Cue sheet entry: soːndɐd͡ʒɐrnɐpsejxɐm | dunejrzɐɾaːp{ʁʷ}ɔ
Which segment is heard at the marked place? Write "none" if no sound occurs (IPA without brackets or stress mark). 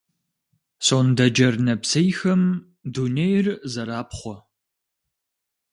χʷ